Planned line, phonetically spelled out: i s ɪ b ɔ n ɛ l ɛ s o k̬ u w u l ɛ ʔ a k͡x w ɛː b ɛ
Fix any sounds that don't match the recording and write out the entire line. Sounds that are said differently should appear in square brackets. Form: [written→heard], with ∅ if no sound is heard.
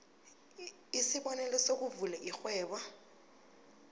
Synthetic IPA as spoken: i s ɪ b ɔ n ɛ l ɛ s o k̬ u [w→v] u l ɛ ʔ [a→i] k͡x w ɛː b [ɛ→a]